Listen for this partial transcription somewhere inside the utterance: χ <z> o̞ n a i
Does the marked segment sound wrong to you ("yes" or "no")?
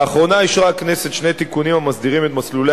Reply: yes